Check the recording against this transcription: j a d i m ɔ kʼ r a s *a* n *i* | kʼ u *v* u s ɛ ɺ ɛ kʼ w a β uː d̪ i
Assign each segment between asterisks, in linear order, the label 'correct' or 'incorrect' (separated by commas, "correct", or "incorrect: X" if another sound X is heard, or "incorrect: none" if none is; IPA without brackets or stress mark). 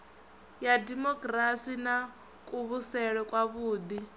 incorrect: i, incorrect: a, incorrect: β